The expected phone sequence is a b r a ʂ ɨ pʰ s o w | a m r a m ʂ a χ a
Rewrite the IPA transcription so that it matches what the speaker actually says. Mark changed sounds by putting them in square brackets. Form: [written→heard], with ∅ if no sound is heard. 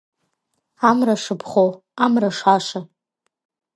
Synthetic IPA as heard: a [b→m] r a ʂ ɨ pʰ [s→χ] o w | a m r a [m→∅] ʂ a [χ→ʂ] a